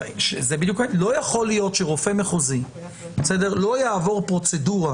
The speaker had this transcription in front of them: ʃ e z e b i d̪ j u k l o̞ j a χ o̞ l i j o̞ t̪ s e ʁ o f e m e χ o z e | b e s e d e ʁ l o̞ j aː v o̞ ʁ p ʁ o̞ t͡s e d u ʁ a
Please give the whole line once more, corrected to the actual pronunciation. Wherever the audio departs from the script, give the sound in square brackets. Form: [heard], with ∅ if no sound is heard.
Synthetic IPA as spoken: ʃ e z e b i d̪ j u k l o̞ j a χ o̞ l i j o̞ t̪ [ʃ] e ʁ o f e m e χ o z [i] | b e s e d e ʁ l o̞ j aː v o̞ ʁ p ʁ o̞ t͡s e d u ʁ a